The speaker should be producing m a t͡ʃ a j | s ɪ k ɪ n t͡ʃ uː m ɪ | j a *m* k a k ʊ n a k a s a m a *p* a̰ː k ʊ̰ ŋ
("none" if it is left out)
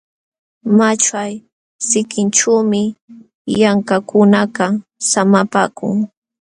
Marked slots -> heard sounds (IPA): ŋ, p

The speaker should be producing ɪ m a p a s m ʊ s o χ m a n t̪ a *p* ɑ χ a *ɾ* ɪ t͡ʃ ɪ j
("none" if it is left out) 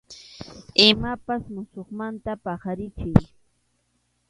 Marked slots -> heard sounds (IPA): p, ɾ

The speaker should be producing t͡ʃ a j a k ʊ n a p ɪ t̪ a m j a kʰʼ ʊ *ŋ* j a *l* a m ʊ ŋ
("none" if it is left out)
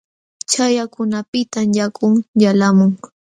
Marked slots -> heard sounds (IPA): ŋ, l

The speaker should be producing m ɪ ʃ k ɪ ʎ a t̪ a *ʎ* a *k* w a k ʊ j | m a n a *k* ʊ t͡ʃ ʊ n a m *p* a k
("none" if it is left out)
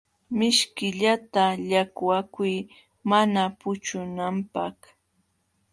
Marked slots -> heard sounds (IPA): ʎ, k, p, p

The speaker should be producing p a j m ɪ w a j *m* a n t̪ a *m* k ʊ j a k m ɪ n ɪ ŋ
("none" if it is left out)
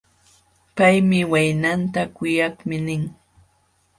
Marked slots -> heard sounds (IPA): n, none

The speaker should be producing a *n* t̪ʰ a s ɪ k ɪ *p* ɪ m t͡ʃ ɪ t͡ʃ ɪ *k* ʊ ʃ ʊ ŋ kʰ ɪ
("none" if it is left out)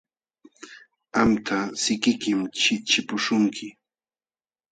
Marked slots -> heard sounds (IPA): m, k, p

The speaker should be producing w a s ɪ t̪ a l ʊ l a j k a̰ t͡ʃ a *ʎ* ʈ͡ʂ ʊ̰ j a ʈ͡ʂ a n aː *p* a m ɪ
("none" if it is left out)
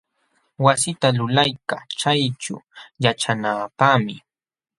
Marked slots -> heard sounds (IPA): j, p

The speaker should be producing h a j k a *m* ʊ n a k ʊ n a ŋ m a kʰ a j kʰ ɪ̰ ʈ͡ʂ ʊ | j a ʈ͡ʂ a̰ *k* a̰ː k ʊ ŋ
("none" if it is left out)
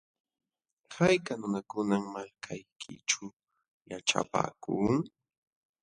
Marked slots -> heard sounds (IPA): n, p

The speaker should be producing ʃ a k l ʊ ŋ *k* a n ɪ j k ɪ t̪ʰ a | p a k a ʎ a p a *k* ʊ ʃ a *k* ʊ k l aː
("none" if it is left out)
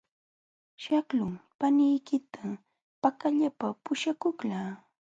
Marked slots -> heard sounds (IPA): p, p, k

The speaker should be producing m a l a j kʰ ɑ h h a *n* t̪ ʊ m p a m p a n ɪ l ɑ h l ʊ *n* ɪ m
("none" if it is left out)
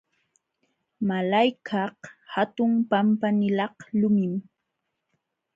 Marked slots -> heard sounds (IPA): none, m

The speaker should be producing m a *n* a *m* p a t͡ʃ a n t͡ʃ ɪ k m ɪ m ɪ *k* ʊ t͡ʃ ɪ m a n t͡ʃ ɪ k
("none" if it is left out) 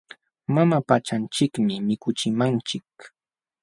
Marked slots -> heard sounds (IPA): m, none, k

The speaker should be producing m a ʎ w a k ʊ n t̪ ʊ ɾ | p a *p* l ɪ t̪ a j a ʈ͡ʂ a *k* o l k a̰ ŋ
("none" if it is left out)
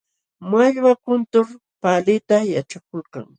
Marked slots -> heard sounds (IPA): none, k

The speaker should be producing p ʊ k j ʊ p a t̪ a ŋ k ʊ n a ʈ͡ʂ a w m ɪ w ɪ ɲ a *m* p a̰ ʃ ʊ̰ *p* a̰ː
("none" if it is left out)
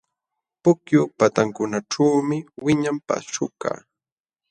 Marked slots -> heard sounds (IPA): m, k

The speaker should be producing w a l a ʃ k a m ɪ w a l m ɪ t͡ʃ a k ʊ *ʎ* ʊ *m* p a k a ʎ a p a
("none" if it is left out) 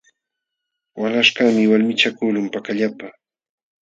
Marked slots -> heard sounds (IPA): l, m

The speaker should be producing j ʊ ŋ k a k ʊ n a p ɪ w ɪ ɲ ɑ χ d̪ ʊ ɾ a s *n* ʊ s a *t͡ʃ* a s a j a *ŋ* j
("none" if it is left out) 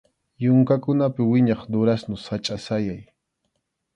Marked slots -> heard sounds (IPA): n, t͡ʃʼ, none

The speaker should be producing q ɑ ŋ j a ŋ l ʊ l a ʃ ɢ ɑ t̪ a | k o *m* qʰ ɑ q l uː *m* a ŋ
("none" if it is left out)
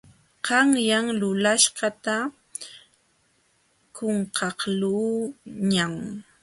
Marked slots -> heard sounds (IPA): ɴ, ɲ

